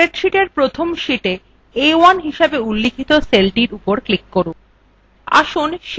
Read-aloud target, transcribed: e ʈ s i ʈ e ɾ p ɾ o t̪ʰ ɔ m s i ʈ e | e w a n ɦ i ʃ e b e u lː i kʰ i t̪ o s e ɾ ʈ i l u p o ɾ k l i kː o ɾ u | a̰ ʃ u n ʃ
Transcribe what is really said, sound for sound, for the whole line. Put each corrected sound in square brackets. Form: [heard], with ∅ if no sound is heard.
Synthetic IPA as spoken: e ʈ [ʃ] i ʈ e ɾ p ɾ o t̪ʰ [o] m [ʃ] i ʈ e | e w a n ɦ i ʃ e b e u lː i kʰ i t̪ o s e [l] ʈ i [ɾ] u p o ɾ k l i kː o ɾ u | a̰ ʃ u n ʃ